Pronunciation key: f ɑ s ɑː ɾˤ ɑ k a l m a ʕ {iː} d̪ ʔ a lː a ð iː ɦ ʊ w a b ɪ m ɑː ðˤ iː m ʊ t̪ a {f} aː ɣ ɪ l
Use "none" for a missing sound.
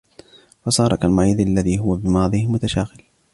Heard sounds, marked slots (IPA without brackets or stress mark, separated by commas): iː, ʃ